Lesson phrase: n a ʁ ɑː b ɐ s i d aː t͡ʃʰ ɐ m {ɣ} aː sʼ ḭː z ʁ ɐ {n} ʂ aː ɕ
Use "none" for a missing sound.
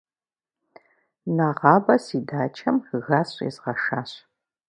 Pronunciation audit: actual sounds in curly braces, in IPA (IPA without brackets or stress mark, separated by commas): ɣ, none